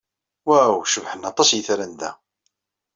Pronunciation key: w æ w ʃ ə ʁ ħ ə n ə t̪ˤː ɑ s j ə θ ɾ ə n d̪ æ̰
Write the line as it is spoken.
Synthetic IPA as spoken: w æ w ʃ ə v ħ ə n ɑ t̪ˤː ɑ s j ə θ ɾ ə n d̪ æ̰